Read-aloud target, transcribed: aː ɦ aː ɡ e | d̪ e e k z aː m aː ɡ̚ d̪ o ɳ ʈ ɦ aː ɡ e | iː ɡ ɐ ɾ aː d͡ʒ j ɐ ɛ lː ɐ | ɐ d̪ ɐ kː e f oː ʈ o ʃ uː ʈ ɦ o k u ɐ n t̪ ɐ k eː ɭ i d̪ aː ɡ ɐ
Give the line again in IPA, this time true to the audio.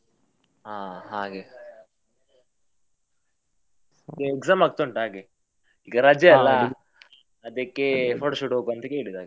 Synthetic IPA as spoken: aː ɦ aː ɡ e | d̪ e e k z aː m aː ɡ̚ t̪ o ɳ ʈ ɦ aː ɡ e | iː ɡ ɐ ɾ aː d͡ʒ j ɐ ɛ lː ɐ | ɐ d̪ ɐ kː e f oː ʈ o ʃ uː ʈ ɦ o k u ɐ n t̪ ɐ k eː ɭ i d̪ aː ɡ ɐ